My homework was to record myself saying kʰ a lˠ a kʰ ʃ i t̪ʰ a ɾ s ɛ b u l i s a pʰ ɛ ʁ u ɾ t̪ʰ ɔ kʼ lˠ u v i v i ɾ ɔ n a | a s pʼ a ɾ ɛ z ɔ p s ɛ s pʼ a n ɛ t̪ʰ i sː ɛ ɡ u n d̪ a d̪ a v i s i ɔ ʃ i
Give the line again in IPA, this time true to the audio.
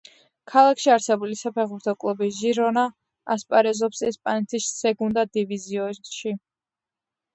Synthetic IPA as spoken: kʰ a lˠ a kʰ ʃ i a ɾ s ɛ b u l i s a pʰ ɛ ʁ u ɾ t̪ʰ ɔ kʼ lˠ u b i ʒ i ɾ ɔ n a | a s pʼ a ɾ ɛ z ɔ p s ɛ s pʼ a n ɛ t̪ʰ i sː ɛ ɡ u n d̪ a d̪ i v i z i ɔ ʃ i